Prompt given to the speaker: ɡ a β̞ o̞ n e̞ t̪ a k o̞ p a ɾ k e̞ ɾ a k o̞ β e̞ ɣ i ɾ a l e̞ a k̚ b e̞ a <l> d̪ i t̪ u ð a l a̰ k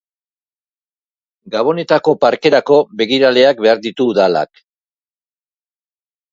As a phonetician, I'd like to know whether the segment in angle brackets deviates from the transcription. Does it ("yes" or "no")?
yes